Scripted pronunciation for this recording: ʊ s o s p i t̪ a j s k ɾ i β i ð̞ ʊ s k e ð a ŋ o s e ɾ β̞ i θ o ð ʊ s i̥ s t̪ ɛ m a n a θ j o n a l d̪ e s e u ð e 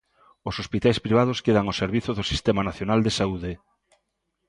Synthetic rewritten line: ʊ s o s p i t̪ a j s p ɾ i β a ð̞ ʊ s k e ð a ŋ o s e ɾ β̞ i θ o ð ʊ s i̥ s t̪ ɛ m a n a θ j o n a l d̪ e s a u ð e

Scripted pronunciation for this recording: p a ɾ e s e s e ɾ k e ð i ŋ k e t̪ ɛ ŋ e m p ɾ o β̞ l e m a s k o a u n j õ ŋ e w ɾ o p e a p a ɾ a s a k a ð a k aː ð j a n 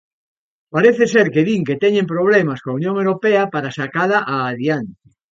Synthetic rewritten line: p a ɾ e θ e s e ɾ k e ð i ŋ k e t̪ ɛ ɲ e m p ɾ o β̞ l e m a s k o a u n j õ ŋ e w ɾ o p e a p a ɾ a s a k a ð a ʔ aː ð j a n

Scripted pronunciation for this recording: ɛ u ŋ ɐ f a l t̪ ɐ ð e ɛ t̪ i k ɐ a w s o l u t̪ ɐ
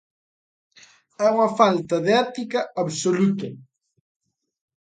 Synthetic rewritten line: ɛ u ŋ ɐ f a l t̪ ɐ ð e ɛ t̪ i k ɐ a β s o l u t̪ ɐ

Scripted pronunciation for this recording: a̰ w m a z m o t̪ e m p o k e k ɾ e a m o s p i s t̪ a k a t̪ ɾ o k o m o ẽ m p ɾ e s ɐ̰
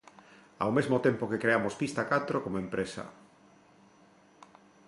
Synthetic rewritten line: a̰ w m e z m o t̪ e m p o k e k ɾ e a m o s p i s t̪ a k a t̪ ɾ o k o m o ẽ m p ɾ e s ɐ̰

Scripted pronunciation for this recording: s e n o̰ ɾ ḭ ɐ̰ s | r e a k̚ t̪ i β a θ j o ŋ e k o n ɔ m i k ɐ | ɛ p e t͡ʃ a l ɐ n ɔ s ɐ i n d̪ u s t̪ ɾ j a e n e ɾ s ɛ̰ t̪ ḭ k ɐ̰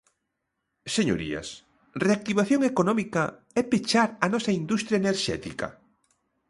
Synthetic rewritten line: s e ɲ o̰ ɾ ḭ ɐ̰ s | r e a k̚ t̪ i β a θ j o ŋ e k o n ɔ m i k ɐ | ɛ p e t͡ʃ a ɾ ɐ n ɔ s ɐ i n d̪ u s t̪ ɾ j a e n e ɾ ʃ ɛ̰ t̪ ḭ k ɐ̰

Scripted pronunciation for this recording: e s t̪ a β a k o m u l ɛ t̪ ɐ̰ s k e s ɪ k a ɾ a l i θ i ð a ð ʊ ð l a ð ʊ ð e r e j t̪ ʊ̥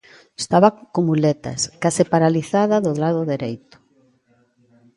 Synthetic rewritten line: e s t̪ a β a k o m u l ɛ t̪ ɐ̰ s k a s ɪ p a ɾ a l i θ a ð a ð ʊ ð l a ð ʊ ð e ɾ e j t̪ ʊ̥

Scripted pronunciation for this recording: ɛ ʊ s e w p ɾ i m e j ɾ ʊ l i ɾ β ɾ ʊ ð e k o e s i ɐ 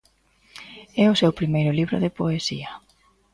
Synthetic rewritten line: ɛ ʊ s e w p ɾ i m e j ɾ ʊ l i β ɾ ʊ ð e p o e s i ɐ

